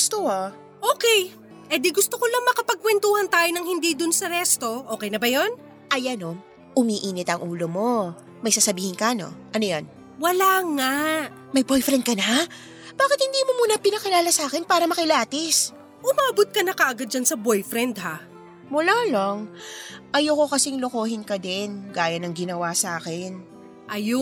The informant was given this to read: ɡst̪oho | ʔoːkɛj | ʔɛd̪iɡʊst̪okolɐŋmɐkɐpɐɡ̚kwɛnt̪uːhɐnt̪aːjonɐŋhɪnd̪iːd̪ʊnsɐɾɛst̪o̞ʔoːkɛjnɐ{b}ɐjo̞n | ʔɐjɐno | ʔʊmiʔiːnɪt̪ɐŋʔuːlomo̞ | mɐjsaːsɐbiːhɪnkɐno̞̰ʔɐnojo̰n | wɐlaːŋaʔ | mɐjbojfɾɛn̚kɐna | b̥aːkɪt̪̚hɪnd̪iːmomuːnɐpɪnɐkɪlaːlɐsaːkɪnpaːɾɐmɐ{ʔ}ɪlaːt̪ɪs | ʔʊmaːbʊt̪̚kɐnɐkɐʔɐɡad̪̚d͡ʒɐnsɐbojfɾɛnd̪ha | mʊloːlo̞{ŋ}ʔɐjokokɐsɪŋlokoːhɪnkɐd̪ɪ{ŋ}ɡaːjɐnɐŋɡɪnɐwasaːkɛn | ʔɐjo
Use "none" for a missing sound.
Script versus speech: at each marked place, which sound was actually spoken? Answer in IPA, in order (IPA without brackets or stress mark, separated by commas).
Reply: b, k, ŋ, n